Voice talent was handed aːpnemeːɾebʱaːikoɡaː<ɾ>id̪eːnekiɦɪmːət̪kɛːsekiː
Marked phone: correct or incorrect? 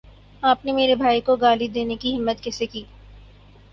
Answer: incorrect